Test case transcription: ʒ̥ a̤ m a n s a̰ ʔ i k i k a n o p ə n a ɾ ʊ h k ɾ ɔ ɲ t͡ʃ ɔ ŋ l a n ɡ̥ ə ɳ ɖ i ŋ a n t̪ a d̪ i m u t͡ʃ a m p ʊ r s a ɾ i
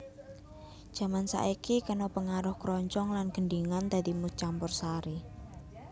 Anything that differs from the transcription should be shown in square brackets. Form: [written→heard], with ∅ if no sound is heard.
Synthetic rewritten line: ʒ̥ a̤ m a n s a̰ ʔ i k i k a n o p ə [n→ŋ] a ɾ ʊ h k ɾ ɔ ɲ t͡ʃ ɔ ŋ l a n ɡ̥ ə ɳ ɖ i ŋ a n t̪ a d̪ i m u t͡ʃ a m p ʊ r s a ɾ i